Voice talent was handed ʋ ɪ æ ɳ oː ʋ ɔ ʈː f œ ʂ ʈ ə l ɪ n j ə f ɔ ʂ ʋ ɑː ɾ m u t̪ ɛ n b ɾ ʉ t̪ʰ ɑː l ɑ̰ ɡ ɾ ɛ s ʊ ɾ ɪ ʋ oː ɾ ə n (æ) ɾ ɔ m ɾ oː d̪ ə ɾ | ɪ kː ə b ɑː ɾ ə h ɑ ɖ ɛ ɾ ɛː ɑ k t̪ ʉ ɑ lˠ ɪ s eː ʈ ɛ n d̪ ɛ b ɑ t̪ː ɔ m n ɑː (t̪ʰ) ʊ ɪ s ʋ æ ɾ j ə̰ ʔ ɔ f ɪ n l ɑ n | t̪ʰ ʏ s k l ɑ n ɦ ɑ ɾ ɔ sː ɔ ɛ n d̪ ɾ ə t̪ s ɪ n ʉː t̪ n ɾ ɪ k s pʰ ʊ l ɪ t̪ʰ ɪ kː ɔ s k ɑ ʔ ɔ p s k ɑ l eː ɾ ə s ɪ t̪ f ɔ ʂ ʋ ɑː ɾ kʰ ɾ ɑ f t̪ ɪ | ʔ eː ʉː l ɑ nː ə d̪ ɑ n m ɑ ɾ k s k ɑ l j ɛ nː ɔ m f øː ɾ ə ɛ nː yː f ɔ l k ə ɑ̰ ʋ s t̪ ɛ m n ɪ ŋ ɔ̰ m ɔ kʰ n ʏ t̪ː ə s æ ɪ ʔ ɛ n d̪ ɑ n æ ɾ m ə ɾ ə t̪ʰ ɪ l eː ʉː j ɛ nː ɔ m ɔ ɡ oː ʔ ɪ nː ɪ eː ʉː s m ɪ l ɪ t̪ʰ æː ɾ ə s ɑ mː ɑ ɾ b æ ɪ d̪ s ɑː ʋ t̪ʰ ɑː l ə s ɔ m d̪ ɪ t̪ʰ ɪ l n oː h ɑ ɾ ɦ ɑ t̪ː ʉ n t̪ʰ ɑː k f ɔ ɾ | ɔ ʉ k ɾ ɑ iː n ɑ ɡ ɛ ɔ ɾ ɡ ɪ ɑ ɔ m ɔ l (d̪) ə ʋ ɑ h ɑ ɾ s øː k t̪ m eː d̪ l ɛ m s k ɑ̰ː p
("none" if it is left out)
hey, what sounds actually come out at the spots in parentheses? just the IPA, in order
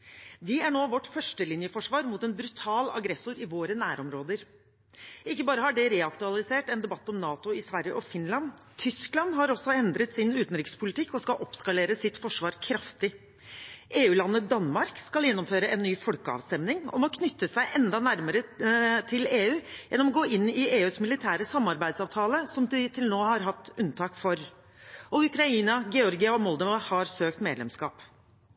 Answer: æː, t̪, d̪

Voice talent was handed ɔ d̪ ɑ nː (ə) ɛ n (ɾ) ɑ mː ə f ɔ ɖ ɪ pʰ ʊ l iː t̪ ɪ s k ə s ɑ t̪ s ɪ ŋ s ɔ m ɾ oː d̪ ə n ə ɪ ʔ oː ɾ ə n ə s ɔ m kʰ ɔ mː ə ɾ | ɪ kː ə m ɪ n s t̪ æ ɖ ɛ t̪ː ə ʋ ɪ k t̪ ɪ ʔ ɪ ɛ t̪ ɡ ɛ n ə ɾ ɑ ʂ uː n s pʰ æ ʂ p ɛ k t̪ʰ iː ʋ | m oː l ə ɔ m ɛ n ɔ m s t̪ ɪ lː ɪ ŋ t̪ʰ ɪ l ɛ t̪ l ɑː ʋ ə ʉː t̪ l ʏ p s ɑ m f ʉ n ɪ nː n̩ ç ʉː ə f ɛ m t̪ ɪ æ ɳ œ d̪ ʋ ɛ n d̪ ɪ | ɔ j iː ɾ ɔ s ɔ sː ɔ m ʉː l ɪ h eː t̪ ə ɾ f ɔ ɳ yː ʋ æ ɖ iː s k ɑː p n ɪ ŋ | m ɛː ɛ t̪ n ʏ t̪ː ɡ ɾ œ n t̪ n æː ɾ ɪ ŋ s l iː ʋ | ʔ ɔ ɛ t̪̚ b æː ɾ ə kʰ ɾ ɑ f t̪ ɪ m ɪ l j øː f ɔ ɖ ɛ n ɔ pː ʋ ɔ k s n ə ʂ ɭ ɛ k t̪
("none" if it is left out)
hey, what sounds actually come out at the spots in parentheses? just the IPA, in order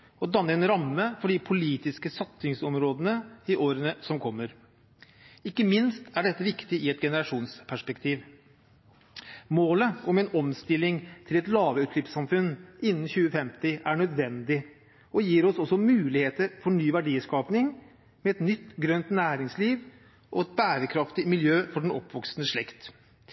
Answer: ə, ɾ

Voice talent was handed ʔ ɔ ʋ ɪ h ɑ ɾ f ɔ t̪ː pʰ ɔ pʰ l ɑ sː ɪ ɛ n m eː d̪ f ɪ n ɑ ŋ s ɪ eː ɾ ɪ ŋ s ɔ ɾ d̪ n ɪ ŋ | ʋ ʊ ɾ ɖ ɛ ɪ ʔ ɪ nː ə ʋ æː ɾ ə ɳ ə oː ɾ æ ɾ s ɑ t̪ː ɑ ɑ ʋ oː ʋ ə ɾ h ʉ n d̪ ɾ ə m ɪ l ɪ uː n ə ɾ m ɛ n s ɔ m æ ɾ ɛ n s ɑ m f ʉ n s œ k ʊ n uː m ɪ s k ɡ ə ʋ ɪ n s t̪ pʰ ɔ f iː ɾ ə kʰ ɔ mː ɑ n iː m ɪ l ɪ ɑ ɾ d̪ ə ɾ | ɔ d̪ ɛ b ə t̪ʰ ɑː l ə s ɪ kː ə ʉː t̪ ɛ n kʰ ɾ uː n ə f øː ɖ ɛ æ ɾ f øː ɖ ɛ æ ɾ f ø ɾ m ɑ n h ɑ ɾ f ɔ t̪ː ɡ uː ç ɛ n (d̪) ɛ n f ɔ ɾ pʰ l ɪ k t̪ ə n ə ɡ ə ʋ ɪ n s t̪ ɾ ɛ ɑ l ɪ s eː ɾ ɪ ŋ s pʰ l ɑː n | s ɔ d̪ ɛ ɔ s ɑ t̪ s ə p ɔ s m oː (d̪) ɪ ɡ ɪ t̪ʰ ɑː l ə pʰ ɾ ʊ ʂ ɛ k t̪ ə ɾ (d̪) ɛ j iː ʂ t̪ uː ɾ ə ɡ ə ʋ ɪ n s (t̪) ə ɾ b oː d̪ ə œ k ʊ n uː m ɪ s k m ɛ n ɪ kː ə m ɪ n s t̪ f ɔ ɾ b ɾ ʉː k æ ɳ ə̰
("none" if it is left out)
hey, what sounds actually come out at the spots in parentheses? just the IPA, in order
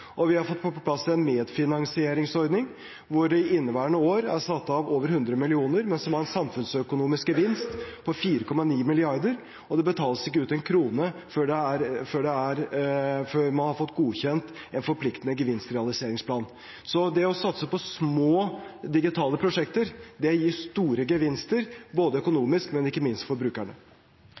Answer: t̪, d̪, d̪, t̪

